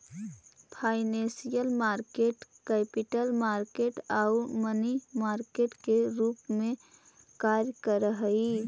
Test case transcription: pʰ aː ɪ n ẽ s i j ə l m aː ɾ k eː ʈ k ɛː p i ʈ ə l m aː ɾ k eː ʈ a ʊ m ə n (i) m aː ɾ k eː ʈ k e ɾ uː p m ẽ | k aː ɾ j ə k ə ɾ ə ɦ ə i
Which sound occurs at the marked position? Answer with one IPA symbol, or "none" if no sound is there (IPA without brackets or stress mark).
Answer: i